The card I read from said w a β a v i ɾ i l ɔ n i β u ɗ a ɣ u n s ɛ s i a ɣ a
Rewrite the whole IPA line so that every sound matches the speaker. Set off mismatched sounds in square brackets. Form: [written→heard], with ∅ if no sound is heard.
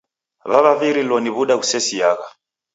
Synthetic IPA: [w→β] a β a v i ɾ i l ɔ n i β u ɗ a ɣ u [n→∅] s ɛ s i a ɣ a